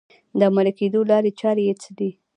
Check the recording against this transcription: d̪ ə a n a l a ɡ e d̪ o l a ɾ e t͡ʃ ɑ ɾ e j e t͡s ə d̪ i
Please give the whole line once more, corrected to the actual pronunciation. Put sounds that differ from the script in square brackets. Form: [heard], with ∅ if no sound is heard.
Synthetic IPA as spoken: d̪ ə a [m] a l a [k] e d̪ o l [ɑ] ɾ e t͡ʃ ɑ ɾ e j e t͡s ə d̪ i